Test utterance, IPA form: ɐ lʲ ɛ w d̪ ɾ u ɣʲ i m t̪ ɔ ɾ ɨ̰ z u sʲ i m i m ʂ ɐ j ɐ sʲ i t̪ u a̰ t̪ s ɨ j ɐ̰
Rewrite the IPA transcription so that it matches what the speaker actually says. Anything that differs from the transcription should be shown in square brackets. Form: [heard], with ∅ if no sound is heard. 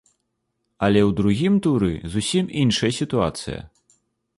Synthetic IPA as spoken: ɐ lʲ ɛ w d̪ ɾ u ɣʲ i m t̪ [u] ɾ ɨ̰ z u sʲ i m i [n] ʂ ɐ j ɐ sʲ i t̪ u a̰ t̪ s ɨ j ɐ̰